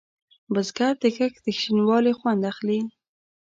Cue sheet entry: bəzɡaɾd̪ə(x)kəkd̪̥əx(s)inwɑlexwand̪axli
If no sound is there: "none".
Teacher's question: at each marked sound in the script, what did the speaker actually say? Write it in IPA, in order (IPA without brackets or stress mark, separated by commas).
none, ʃ